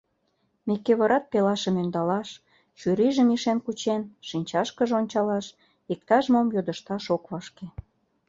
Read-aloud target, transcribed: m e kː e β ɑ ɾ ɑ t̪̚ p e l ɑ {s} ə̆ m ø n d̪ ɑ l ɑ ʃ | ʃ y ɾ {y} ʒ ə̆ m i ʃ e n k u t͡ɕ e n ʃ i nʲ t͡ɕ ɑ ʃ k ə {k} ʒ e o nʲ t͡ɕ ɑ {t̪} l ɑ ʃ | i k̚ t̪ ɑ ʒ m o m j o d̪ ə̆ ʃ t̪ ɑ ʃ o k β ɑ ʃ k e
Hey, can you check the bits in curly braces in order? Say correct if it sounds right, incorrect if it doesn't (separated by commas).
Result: incorrect, incorrect, incorrect, incorrect